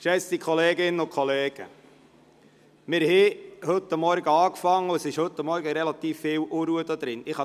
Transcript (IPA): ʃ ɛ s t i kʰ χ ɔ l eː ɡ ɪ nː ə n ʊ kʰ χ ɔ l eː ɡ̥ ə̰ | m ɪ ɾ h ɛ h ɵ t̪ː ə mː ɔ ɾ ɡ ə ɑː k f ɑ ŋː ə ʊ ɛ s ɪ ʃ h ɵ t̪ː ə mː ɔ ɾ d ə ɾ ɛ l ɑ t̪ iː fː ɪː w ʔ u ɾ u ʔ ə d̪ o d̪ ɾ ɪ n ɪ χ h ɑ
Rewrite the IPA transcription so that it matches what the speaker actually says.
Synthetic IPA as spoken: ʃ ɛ s t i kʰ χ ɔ l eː ɡ ɪ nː ə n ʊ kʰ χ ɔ l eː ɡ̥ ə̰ | m ɪ ɾ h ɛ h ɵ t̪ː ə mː ɔ ɾ ɡ ə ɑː k f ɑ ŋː ə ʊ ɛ s ɪ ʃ h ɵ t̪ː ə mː ɔ ɾ ɡ ə ɾ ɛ l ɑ t̪ iː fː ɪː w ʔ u ɾ u ə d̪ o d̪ ɾ ɪ n ɪ χ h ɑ

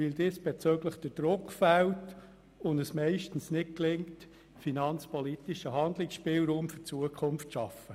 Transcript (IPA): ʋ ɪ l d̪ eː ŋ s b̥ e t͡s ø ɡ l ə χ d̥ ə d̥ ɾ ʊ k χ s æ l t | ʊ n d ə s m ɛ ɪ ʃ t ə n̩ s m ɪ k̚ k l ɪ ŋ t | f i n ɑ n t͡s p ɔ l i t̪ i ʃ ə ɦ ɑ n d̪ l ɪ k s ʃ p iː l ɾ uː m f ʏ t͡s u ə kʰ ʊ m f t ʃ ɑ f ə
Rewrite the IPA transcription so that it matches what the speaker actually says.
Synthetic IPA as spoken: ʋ ɪ l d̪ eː s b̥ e t͡s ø ɡ l ə χ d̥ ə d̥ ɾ ʊ k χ f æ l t | ʊ n d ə s m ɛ ɪ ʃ t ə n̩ s n ɪ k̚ k l ɪ ŋ t | f i n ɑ n t͡s p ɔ l i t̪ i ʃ ə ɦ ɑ n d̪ l ɪ k s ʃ p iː l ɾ uː m f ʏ t͡s u ə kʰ ʊ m f t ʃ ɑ f ə

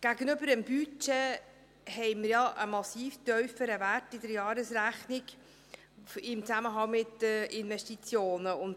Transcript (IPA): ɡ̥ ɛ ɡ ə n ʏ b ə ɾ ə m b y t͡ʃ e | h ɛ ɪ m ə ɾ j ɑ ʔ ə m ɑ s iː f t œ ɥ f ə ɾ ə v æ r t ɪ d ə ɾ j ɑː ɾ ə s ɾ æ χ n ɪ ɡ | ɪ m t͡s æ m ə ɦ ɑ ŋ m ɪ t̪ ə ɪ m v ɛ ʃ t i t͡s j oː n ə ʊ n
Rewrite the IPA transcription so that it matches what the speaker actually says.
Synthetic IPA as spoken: ɡ̥ æ ɡ ə n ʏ b ə ɾ ə m b y t͡ʃ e | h ɛ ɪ m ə ɾ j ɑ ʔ ə m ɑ s iː f t œ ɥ f ə ɾ ə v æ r t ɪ d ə ɾ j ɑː ɾ ə s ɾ æ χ n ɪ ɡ | ɪ m t͡s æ m ə ɦ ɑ ŋ m ɪ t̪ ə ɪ n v ɛ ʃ t i t͡s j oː n ə ʊ n

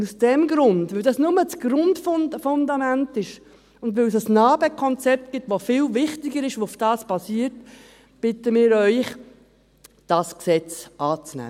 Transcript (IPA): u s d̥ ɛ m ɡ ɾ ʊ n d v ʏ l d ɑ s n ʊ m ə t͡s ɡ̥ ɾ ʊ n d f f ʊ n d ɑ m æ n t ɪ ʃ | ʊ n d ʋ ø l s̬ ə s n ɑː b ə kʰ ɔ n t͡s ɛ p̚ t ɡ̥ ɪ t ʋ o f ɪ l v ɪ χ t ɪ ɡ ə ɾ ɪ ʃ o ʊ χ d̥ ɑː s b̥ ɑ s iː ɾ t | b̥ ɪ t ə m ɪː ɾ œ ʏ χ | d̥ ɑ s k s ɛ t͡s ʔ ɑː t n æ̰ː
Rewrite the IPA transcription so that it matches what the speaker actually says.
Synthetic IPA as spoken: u s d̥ ɛ m ɡ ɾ ʊ n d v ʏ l d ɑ s n ʊ m ə t͡s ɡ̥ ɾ ʊ n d f f ʊ n d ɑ m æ n t ɪ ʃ | ʊ n d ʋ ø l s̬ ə s n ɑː b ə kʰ ɔ n t͡s ɛ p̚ t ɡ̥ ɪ t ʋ o f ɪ l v ɪ χ t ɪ ɡ ə ɾ ɪ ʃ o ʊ f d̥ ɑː s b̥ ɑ s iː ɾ t | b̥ ɪ t ə m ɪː ɾ œ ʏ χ | d̥ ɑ s k s ɛ t͡s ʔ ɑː t͡s n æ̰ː

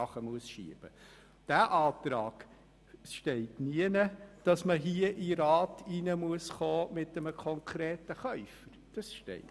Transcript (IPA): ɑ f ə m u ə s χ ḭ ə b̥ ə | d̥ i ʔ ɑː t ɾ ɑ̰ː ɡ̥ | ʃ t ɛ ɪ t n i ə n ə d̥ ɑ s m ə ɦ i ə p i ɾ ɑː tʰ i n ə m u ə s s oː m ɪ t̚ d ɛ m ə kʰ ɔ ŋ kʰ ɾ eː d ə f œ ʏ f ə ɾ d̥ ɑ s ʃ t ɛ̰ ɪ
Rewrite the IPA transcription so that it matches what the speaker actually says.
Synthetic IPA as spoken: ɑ χ ə m u ə s ʃ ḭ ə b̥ ə | d̥ æ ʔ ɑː t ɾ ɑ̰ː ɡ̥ | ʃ t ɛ ɪ t n i ə n ə d̥ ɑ s m ə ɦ i ə ʔ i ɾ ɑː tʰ i n ə m u ə s χ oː m ɪ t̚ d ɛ m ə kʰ ɔ ŋ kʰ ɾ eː t ə χ œ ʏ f ə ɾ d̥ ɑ s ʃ t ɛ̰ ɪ

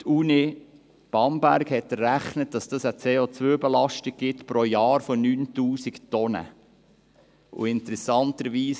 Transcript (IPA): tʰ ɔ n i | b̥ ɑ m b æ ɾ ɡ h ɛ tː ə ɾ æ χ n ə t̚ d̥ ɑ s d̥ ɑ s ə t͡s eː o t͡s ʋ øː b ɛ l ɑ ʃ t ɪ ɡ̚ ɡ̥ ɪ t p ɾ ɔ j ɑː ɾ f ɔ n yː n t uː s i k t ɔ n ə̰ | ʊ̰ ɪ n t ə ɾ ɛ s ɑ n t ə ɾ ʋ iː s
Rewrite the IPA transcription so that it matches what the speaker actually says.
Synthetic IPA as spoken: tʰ u n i | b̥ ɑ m b æ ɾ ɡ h ɛ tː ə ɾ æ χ n ə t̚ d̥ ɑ s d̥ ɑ s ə t͡s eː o t͡s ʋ øː b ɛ l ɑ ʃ t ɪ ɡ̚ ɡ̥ ɪ t p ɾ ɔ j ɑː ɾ f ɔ n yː n t uː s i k t ɔ n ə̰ | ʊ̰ ɪ n t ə ɾ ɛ s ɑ n t ə ɾ ʋ iː s

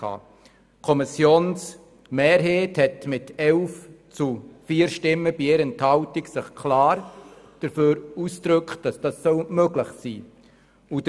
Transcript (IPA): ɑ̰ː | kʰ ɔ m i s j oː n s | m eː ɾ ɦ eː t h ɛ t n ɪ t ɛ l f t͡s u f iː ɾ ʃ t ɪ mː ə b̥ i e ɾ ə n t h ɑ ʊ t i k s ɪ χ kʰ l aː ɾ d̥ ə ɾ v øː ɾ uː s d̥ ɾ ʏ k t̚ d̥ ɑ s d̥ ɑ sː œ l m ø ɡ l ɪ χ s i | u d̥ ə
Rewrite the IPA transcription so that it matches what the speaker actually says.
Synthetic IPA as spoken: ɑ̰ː | kʰ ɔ m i s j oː n s | m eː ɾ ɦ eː t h ɛ t m ɪ t ɛ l f t͡s u f iː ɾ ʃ t ɪ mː ə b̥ i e ɾ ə n t h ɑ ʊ t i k s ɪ χ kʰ l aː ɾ d̥ ə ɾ f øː ɾ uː s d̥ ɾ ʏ k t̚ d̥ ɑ s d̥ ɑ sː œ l m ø ɡ l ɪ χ s iː | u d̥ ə

